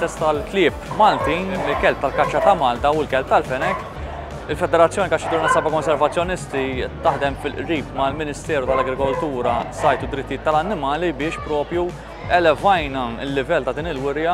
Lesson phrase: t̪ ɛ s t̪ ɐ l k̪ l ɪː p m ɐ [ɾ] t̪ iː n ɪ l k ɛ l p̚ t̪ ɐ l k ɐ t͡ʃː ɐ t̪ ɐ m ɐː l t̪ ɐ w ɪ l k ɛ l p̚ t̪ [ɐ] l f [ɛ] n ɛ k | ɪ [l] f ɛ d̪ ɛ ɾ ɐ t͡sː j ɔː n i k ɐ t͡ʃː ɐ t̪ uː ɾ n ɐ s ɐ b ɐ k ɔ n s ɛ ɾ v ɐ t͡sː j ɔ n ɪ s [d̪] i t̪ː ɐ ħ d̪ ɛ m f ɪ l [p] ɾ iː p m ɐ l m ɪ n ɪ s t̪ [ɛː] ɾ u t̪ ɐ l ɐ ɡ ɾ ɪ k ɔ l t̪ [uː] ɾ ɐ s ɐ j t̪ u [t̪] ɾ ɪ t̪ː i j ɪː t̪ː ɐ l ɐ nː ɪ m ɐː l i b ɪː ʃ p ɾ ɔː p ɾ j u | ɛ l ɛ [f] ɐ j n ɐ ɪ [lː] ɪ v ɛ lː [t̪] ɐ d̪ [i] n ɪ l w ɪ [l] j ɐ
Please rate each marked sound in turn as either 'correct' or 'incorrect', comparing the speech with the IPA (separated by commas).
incorrect, correct, correct, correct, incorrect, incorrect, correct, correct, incorrect, incorrect, correct, correct, incorrect, incorrect